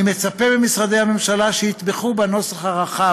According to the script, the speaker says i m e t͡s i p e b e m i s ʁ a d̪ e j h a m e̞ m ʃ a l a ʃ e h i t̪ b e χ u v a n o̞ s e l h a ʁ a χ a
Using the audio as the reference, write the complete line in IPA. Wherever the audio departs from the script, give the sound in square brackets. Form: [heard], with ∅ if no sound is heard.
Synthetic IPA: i m e t͡s [a] p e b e m i s ʁ a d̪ e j h a m e̞ m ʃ a l a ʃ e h i t̪ b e χ u [b] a n o̞ s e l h a ʁ a χ a